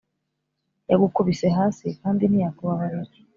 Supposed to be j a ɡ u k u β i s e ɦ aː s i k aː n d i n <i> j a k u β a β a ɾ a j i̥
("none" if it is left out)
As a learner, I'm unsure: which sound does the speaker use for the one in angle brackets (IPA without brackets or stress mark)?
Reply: i